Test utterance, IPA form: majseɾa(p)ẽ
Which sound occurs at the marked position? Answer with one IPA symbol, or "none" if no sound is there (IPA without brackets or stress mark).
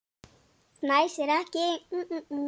k